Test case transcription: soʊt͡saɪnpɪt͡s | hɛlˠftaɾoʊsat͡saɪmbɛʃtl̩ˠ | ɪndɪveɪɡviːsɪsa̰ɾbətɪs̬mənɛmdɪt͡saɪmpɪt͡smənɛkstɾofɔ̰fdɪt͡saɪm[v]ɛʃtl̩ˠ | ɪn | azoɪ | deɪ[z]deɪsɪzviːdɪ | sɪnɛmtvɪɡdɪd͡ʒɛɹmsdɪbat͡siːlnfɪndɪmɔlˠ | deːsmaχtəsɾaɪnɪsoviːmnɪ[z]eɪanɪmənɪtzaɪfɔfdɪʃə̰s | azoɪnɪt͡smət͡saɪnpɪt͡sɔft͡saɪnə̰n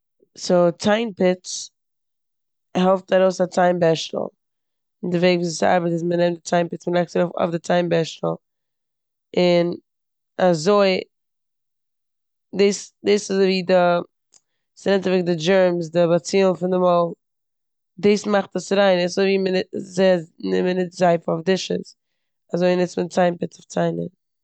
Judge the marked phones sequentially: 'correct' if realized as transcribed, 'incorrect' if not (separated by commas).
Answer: incorrect, incorrect, correct